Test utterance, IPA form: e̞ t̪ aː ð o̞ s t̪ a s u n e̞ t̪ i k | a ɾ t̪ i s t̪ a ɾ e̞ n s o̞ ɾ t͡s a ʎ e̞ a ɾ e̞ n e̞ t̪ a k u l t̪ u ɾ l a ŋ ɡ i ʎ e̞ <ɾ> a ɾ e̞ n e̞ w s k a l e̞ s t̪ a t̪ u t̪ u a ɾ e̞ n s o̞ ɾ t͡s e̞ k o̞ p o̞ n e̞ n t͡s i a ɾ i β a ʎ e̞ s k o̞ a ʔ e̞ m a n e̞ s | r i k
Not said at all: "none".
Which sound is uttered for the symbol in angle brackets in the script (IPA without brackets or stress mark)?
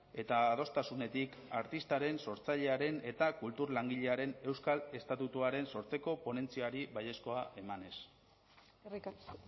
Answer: none